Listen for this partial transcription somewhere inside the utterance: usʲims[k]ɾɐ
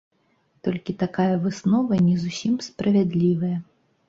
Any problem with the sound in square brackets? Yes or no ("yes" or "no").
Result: yes